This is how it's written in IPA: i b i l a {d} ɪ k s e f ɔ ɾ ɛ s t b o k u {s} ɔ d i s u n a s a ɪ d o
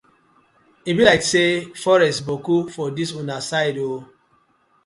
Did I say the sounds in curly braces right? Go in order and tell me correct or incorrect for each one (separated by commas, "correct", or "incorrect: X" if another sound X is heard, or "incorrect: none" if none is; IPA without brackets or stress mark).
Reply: incorrect: none, incorrect: f